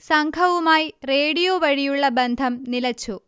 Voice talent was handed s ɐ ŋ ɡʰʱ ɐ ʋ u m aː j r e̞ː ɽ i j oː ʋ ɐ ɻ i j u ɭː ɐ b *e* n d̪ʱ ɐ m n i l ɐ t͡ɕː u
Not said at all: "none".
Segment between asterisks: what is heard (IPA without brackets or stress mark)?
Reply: e